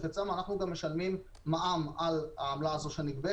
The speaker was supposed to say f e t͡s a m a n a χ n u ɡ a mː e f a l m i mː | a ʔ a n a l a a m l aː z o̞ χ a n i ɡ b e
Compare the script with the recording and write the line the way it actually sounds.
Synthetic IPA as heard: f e t͡s a m a n a χ n u ɡ a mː e ʃ a l m i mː | a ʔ a m a l a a m l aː z o̞ ʃ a n i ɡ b e